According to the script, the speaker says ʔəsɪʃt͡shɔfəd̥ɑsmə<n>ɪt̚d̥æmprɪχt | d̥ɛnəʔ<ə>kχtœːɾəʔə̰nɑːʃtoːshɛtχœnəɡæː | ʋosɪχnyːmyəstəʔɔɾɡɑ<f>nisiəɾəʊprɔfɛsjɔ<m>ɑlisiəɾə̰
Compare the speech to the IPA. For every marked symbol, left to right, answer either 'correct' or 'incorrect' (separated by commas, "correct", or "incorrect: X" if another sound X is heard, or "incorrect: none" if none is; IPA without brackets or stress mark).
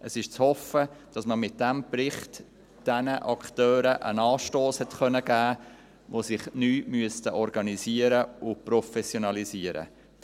incorrect: m, incorrect: ɑ, incorrect: none, incorrect: n